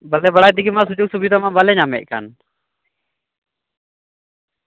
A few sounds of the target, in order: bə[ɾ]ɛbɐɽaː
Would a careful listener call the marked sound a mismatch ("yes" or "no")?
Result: yes